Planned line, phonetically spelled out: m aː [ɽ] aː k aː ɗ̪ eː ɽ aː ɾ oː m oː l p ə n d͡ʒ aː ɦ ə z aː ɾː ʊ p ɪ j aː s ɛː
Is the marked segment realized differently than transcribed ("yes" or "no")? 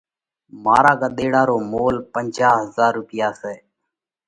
yes